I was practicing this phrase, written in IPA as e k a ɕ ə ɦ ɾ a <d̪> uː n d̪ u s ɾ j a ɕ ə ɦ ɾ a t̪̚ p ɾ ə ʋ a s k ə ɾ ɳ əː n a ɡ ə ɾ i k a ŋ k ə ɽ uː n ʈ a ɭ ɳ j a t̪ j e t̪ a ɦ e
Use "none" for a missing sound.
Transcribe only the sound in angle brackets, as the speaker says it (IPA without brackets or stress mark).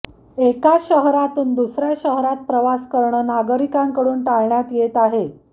t̪